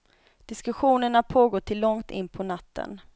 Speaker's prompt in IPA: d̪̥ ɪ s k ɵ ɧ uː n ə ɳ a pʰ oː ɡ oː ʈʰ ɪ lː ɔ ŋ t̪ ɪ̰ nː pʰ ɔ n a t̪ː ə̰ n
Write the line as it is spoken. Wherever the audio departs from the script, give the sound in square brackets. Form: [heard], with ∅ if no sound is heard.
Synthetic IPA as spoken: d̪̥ ɪ s k ɵ ɧ uː n ə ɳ a pʰ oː ɡ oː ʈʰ ɪ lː ɔ ŋ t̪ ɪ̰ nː pʰ ɔ n a t̪ː ə̰ n